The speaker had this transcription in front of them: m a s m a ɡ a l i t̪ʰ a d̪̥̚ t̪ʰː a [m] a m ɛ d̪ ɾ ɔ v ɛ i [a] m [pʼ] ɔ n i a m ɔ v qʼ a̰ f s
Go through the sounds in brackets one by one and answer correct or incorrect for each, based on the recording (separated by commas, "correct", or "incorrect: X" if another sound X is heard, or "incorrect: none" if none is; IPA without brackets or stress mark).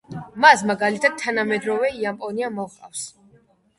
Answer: incorrect: n, correct, correct